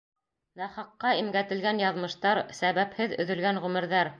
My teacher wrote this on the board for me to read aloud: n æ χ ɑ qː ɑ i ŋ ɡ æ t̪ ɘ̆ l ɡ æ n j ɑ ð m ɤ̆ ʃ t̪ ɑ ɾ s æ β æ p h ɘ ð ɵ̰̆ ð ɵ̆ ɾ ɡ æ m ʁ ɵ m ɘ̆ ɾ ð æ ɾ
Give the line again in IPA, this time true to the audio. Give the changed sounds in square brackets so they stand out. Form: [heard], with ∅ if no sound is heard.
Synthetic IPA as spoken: n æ χ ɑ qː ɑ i [m] ɡ æ t̪ ɘ̆ l ɡ æ n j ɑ ð m ɤ̆ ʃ t̪ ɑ ɾ s æ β æ p h ɘ ð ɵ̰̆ ð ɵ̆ [l] ɡ æ [n] ʁ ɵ m ɘ̆ ɾ ð æ ɾ